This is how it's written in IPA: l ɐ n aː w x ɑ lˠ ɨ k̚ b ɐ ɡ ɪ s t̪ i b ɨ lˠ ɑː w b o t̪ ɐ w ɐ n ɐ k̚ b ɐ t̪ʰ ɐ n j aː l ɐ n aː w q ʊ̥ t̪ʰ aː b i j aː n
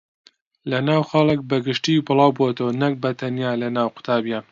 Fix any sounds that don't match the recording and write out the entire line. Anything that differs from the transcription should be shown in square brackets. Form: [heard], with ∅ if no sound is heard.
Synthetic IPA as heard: l ɐ n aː w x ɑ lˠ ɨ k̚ b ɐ ɡ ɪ [ʃ] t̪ i b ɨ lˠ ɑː w b o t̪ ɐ w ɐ n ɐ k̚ b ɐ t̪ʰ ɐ n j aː l ɐ n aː w q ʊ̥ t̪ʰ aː b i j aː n